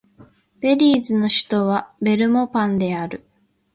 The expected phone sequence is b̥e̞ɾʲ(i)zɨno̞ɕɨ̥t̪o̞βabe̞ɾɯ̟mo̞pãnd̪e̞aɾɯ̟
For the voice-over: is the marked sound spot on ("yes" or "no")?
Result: no